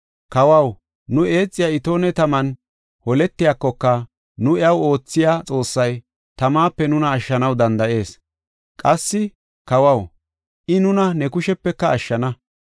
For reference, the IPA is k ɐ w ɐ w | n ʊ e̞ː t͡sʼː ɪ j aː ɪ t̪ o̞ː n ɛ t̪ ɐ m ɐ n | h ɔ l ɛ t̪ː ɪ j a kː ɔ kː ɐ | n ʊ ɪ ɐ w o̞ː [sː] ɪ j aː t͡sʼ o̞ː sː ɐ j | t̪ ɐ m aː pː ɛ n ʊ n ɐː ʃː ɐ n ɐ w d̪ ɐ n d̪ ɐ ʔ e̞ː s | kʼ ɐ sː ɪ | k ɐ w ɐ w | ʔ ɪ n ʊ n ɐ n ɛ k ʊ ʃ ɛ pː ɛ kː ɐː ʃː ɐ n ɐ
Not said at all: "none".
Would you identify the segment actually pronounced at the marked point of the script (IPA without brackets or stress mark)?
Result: t͡sː